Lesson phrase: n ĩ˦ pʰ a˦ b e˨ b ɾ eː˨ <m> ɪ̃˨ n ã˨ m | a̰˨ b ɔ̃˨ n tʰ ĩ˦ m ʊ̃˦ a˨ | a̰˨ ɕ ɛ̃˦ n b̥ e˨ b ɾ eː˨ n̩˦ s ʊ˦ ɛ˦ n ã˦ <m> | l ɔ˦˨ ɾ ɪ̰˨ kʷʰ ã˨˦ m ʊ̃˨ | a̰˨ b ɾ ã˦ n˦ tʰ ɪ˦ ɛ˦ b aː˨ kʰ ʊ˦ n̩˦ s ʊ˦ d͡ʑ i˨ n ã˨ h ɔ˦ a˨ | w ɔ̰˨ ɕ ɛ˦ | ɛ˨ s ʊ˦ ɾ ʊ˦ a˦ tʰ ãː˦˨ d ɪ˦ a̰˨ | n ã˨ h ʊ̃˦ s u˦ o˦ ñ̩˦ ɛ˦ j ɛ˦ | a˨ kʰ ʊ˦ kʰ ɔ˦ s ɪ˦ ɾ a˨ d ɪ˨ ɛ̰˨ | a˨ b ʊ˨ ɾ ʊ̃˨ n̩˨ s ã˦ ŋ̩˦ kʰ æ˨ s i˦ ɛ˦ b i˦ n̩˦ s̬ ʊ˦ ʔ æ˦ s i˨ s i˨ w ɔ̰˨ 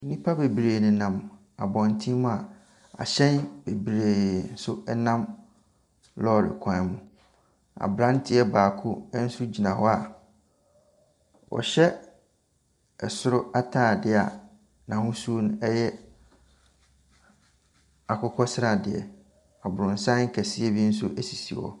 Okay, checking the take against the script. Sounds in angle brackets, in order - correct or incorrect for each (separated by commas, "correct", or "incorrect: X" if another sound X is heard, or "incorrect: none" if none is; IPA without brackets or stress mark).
incorrect: n, correct